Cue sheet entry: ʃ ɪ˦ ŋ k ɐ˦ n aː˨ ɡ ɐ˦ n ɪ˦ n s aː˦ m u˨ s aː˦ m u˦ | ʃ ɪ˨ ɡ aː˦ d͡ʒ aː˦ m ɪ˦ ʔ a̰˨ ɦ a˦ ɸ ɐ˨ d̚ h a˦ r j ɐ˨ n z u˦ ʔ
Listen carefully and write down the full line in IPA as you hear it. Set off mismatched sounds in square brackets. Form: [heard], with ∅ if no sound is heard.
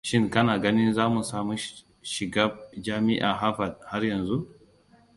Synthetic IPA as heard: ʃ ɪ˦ ŋ k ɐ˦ n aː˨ ɡ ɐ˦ n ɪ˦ n [z] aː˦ m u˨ s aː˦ m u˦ | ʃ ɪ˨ ɡ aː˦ d͡ʒ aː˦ m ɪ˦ ʔ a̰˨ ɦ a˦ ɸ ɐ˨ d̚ h a˦ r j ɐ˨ n z u˦ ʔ